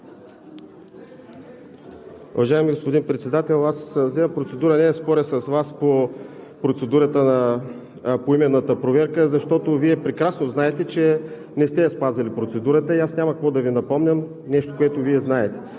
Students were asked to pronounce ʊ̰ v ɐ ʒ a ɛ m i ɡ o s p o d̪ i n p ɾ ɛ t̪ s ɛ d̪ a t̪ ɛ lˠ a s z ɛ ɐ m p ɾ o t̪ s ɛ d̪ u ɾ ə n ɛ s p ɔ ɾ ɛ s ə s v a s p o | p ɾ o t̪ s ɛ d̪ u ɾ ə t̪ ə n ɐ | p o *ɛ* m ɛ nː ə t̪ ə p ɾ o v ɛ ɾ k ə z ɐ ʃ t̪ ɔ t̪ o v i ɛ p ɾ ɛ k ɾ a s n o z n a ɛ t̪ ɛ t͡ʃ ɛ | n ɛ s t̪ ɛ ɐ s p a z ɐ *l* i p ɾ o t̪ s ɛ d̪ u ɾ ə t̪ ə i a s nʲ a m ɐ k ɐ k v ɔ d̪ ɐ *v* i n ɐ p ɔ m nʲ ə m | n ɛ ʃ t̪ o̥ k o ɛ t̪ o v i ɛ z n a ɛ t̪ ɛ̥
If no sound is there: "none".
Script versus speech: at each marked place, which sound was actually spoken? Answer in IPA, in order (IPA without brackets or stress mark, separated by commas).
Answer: i, l, v